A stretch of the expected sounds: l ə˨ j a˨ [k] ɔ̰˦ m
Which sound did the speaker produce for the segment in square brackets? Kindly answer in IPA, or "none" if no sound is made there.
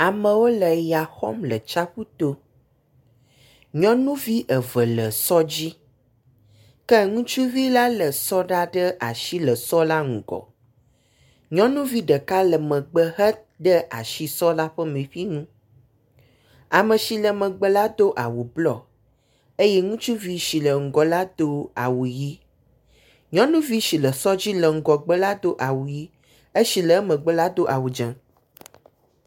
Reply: x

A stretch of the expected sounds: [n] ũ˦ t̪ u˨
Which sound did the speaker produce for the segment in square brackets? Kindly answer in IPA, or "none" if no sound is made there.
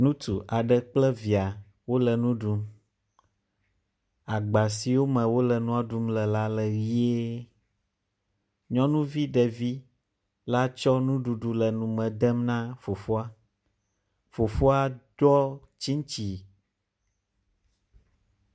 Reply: n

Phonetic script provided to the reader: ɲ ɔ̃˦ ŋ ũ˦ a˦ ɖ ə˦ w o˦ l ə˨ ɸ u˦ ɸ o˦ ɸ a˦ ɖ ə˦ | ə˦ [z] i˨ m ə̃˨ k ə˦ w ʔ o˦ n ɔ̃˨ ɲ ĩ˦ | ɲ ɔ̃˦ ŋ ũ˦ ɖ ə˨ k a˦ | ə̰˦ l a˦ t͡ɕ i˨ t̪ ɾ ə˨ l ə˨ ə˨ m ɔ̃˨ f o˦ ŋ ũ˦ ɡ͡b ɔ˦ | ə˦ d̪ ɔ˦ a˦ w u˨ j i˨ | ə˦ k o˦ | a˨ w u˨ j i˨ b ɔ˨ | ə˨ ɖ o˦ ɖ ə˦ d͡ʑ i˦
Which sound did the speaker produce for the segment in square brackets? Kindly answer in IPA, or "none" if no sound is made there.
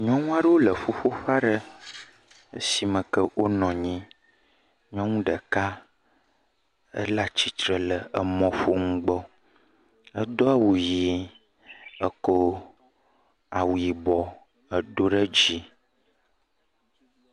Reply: s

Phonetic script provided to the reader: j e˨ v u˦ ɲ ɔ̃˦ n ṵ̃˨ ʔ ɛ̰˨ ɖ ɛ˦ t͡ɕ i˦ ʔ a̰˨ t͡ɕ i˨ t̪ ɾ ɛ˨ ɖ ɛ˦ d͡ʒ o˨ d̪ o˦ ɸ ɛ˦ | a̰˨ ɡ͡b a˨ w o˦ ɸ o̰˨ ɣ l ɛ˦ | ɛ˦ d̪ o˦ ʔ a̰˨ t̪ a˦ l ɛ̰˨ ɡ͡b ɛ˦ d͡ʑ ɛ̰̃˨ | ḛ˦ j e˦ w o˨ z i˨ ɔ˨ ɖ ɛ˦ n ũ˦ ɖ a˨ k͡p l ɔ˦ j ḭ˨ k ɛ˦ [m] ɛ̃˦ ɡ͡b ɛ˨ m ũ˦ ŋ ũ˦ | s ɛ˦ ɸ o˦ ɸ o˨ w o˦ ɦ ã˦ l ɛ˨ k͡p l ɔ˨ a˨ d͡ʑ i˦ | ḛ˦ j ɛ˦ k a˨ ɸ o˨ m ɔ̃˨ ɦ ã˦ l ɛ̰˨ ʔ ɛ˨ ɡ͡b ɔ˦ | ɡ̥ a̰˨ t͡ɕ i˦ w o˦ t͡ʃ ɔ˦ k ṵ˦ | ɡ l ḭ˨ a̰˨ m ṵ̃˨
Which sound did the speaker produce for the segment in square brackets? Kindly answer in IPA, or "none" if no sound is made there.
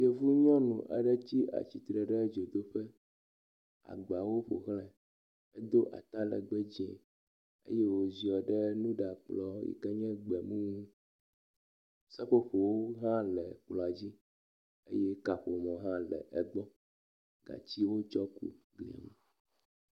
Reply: ɲ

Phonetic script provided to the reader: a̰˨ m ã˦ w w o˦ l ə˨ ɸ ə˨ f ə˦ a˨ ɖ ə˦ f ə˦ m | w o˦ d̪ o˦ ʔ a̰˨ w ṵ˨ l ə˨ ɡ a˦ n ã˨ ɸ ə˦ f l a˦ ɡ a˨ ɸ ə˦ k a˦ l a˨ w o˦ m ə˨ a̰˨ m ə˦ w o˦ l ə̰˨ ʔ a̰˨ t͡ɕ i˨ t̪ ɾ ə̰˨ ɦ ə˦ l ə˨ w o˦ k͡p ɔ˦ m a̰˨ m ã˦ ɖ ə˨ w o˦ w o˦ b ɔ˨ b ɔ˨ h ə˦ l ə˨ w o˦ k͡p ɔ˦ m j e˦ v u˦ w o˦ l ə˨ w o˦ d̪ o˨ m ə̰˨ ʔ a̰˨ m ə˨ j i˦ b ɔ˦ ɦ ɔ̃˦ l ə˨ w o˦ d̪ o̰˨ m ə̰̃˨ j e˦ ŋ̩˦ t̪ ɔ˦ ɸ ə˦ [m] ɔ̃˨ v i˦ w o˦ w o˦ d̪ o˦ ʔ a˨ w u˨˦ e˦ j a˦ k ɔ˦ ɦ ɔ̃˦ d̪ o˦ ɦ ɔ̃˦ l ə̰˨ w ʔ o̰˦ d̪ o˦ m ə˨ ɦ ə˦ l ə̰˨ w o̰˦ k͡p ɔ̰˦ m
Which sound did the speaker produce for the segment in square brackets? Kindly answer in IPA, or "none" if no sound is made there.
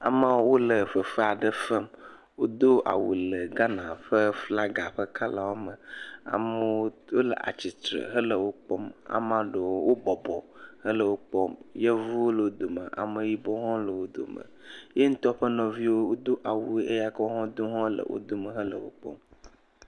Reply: n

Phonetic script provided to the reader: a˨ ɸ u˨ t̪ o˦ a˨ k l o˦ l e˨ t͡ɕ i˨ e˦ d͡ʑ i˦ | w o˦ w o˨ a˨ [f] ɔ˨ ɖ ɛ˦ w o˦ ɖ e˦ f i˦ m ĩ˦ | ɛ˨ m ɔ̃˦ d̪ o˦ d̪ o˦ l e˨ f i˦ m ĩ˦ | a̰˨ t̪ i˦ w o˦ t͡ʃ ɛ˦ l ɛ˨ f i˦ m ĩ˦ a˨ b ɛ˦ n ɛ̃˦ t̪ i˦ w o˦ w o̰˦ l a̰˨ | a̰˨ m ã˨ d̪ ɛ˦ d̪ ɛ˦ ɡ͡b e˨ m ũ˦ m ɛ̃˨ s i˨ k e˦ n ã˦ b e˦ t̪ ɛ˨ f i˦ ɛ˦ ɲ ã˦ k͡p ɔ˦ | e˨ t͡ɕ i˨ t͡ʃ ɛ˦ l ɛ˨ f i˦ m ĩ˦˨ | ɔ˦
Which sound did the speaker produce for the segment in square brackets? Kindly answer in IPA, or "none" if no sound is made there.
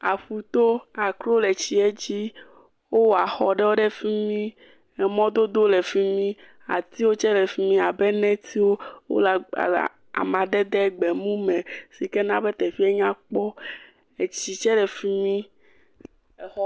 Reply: x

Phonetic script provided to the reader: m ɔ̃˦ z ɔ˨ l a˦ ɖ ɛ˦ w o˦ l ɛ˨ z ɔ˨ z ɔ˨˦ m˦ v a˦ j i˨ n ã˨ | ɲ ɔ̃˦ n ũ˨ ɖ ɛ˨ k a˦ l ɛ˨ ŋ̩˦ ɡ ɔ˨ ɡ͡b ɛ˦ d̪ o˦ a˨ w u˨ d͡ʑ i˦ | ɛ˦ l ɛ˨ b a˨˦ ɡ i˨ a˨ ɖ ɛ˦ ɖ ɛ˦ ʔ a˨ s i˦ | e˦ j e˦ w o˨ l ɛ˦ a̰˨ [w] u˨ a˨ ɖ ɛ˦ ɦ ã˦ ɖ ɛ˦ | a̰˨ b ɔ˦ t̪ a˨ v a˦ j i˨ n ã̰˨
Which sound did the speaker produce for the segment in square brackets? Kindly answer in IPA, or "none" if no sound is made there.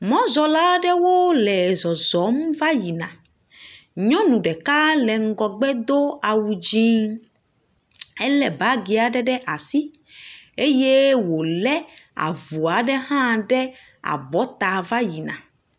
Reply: v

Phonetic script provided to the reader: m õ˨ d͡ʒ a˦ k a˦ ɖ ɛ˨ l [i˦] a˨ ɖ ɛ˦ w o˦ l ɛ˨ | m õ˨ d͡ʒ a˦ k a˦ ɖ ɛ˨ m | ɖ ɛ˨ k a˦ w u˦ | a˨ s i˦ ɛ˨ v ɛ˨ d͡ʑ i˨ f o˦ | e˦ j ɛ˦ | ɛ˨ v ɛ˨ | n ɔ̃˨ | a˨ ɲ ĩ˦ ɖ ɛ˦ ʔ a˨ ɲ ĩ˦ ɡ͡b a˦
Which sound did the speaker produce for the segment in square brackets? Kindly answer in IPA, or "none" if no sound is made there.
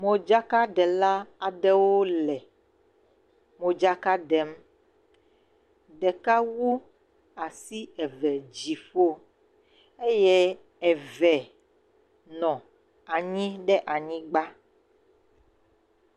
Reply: a˦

